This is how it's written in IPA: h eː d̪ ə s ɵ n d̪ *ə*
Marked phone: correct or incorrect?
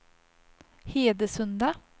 incorrect